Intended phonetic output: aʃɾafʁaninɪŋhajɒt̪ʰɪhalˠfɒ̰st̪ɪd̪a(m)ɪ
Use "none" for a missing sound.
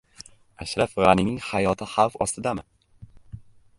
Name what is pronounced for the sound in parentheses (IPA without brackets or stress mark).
m